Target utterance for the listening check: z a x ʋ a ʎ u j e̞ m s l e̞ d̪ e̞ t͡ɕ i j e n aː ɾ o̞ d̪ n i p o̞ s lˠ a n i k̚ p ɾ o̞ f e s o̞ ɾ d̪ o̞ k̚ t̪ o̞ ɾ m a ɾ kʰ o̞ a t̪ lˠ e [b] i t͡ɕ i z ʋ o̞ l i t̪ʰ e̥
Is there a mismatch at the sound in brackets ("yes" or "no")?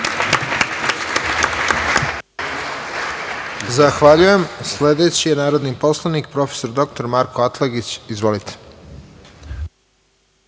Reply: yes